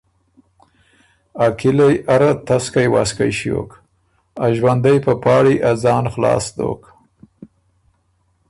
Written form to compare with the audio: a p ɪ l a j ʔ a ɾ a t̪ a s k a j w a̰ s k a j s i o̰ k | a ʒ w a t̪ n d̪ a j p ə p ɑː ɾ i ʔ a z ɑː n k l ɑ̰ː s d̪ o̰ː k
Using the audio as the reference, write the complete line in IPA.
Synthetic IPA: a k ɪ l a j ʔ a ɾ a t̪ a s k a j w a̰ s k a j ʃ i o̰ k | a ʒ w a n d̪ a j p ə p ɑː ɽ i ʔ a z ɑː n x l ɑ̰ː s d̪ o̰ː k